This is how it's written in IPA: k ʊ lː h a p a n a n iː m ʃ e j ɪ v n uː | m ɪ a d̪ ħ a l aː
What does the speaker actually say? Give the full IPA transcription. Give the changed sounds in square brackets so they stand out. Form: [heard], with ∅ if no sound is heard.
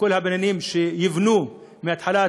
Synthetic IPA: k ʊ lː h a [b] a n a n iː m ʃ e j ɪ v n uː | m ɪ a [t̪] ħ a l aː